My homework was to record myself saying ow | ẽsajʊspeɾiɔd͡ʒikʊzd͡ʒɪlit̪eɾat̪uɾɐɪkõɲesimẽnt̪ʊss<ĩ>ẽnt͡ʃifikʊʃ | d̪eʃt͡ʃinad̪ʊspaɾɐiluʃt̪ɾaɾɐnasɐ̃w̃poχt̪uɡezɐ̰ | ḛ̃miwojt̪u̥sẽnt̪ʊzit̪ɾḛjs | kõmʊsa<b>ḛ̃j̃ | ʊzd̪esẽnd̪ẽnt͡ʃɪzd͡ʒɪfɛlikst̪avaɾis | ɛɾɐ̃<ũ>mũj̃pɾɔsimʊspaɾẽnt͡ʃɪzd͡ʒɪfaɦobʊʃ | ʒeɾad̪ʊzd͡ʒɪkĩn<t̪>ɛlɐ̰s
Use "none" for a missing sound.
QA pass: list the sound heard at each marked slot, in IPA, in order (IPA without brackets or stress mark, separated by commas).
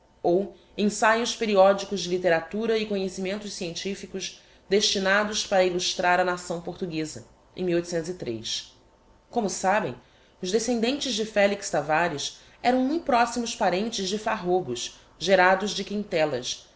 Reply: i, b, w̃, t̪